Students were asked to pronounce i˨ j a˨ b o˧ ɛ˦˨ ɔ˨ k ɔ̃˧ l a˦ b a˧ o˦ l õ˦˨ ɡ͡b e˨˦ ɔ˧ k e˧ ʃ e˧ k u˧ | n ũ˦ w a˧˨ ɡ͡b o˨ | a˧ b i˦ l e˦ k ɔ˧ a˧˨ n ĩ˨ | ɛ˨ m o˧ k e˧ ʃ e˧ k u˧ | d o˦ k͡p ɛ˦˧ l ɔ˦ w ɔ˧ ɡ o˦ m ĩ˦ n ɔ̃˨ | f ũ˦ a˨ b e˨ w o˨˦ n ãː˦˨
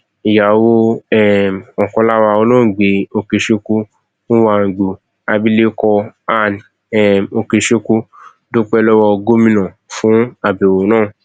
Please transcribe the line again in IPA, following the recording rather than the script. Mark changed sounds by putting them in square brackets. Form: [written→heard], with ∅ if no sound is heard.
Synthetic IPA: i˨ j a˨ [b→w] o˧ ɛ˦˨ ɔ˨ k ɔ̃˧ l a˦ [b→w] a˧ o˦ l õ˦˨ ɡ͡b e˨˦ [ɔ˧→o˧] k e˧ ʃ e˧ k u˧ | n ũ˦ w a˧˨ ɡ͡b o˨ | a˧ b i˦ l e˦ k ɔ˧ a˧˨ n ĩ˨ | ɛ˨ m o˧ k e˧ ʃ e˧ k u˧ | d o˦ k͡p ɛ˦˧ l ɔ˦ w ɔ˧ ɡ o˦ m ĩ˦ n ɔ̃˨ | f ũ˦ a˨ b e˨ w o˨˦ n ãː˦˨